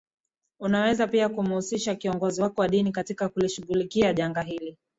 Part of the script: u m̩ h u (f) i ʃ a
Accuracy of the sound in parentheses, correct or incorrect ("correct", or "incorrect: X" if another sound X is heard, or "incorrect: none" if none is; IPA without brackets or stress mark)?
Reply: incorrect: s